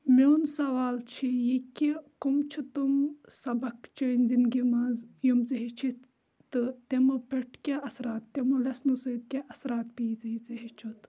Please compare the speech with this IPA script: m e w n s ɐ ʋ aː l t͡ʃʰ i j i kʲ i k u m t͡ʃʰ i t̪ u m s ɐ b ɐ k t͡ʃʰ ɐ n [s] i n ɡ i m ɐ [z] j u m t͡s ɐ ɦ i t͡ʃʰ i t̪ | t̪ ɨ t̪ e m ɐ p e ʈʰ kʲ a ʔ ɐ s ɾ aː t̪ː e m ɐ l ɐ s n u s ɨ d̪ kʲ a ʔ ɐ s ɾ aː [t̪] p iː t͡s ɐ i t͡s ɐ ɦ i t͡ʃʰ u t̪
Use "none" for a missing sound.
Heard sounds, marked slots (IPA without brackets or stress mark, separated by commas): z, z, t̪